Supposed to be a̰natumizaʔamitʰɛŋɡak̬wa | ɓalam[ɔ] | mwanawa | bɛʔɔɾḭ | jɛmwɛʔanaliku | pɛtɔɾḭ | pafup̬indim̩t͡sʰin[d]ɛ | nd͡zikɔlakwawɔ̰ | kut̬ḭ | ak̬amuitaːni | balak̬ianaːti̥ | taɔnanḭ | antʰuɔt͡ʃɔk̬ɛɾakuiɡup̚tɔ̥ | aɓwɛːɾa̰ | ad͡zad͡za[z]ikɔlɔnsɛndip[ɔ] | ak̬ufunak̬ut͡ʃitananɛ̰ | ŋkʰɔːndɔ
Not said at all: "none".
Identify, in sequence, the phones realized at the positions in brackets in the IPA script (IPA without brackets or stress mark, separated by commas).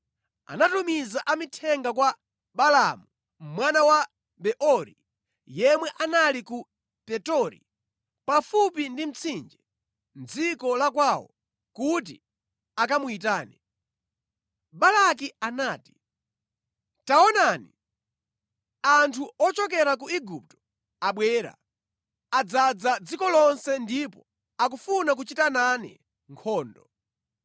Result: u, d͡ʒ, d͡z, ɔ